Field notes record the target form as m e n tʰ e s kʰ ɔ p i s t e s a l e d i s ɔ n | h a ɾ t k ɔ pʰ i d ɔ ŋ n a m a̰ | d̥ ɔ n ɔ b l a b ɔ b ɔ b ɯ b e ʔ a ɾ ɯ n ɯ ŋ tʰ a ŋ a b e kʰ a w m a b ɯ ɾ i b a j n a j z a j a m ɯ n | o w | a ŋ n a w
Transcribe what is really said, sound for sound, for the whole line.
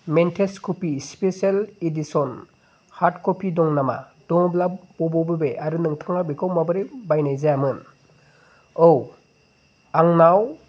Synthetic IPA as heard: m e n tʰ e s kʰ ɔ p i s p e s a l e d i s ɔ n | h a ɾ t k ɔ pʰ i d ɔ ŋ n a m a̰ | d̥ ɔ ŋ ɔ b l a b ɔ b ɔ b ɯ b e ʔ a ɾ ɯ n ɯ ŋ tʰ a ŋ a b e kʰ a w m a b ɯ ɾ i b a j n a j z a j a m ɯ n | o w | a ŋ n a w